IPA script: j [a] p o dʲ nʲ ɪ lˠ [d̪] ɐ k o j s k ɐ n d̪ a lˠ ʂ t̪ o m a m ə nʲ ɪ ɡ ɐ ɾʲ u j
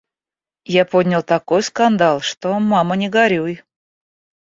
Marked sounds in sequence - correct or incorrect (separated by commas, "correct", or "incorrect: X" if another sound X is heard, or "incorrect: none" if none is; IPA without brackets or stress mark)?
correct, incorrect: t̪